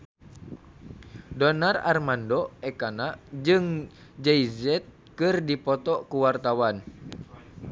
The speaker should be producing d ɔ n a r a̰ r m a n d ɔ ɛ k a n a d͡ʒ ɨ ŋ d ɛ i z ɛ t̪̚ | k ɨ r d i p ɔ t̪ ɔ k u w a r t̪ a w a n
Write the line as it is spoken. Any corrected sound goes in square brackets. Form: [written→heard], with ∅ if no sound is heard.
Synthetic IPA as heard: d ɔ n a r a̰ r m a n d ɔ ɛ k a n a d͡ʒ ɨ ŋ [d→d͡ʒ] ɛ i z ɛ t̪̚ | k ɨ r d i p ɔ t̪ ɔ k u w a r t̪ a w a n

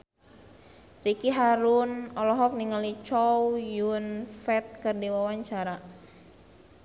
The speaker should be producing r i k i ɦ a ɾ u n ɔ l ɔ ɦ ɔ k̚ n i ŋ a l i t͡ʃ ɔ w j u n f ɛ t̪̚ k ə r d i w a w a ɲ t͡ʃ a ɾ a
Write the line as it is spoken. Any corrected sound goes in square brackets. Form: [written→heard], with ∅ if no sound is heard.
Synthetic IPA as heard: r i k i ɦ a ɾ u n ɔ l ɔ ɦ ɔ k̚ n i ŋ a l i t͡ʃ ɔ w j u n f ɛ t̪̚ k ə r d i w a w a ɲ t͡ʃ a ɾ a

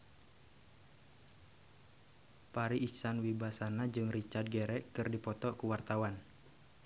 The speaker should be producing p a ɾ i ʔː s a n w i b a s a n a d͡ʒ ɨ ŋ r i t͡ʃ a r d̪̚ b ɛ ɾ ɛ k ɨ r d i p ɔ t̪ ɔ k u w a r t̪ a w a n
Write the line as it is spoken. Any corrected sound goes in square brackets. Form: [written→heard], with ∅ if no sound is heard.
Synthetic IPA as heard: p a ɾ i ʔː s a n w i b a s a n a d͡ʒ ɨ ŋ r i t͡ʃ a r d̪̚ [b→ɡ] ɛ ɾ ɛ k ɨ r d i p ɔ t̪ ɔ k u w a r t̪ a w a n

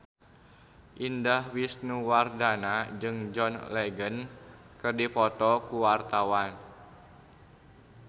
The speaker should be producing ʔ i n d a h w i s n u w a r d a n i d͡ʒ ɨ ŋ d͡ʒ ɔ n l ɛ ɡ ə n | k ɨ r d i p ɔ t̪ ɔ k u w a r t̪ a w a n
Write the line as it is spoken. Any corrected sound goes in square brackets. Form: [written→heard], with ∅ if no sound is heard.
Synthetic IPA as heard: ʔ i n d a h w i s n u w a r d a n [i→a] d͡ʒ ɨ ŋ d͡ʒ ɔ n l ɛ ɡ ə n | k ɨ r d i p ɔ t̪ ɔ k u w a r t̪ a w a n

